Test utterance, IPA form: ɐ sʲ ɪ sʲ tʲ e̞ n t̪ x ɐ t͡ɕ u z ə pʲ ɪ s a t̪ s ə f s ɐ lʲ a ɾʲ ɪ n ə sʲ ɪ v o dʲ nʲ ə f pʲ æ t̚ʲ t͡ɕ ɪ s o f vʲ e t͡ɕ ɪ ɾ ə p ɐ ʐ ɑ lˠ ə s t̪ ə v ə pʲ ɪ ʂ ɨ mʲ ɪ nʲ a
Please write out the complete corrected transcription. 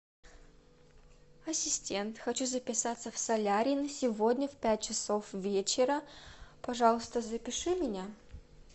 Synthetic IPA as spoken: ɐ sʲ ɪ sʲ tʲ e̞ n t̪ x ɐ t͡ɕ u z ə pʲ ɪ s a t̪ s ə f s ɐ lʲ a ɾʲ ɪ n ə sʲ ɪ v o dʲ nʲ ə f pʲ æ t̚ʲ t͡ɕ ɪ s o f vʲ e t͡ɕ ɪ ɾ ə p ɐ ʐ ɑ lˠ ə s t̪ ə z ə pʲ ɪ ʂ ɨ mʲ ɪ nʲ a